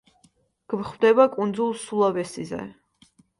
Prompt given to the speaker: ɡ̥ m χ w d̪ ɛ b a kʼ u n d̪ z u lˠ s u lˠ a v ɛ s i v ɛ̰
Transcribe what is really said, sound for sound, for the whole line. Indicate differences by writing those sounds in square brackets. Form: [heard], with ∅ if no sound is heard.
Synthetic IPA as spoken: ɡ̥ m χ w d̪ ɛ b a kʼ u n d̪ z u lˠ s u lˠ a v ɛ s i [z] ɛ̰